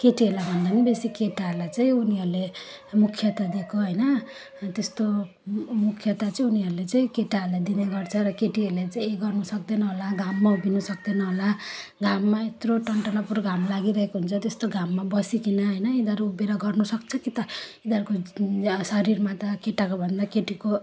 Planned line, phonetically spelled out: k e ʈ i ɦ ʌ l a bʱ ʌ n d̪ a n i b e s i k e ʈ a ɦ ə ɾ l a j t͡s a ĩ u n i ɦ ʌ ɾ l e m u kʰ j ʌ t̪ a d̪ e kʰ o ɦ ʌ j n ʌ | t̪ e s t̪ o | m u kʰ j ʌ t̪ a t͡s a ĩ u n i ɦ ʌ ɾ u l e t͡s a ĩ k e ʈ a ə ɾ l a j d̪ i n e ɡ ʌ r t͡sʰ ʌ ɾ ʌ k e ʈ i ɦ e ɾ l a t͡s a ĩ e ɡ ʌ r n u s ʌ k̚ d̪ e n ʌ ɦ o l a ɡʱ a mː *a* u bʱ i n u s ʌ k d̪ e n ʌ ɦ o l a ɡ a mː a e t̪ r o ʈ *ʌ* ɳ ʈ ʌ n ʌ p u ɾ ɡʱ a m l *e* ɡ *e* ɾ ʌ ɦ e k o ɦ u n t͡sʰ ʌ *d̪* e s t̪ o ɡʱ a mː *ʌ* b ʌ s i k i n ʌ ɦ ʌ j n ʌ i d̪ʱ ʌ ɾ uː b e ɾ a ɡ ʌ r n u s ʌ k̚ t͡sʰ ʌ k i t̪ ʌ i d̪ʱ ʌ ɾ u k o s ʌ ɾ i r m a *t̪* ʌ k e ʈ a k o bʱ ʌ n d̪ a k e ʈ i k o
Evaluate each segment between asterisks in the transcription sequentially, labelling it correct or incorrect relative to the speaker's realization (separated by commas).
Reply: correct, correct, incorrect, incorrect, incorrect, incorrect, correct